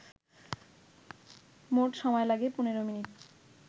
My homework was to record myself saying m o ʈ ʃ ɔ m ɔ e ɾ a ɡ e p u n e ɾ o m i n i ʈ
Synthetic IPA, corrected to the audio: m o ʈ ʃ ɔ m ɔ e l a ɡ e p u n e ɾ o m i n i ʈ